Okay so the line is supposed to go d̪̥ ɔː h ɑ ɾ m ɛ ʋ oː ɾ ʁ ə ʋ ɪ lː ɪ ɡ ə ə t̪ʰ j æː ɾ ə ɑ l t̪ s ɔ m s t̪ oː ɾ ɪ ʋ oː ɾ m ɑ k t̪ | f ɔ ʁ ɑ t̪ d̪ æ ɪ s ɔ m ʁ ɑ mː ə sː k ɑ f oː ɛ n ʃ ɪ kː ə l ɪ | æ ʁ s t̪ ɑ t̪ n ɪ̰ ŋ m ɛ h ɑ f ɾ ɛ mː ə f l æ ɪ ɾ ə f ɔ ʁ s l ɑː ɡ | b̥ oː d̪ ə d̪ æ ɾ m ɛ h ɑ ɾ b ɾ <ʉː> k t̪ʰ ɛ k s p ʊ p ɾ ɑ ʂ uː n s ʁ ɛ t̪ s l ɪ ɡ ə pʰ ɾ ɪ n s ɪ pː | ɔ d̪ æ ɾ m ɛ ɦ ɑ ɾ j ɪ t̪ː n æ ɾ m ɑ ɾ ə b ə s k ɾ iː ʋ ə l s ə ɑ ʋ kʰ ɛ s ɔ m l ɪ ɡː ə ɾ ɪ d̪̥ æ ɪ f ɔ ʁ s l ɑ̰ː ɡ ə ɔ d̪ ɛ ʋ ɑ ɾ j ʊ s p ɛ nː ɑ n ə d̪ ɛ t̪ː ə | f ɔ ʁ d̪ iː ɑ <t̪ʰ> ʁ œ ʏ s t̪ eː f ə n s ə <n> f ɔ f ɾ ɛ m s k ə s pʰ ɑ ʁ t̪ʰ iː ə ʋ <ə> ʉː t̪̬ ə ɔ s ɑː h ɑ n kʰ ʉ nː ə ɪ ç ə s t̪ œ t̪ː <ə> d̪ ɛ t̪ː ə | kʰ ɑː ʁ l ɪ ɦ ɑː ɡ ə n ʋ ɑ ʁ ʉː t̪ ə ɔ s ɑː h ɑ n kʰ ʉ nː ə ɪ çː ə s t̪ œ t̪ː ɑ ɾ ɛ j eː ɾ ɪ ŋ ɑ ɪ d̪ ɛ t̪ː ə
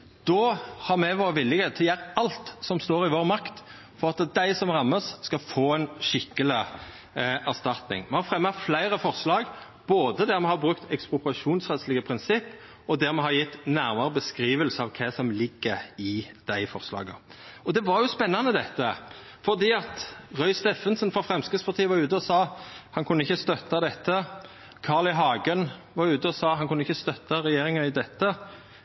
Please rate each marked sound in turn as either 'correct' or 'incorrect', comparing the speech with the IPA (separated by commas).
incorrect, incorrect, correct, incorrect, incorrect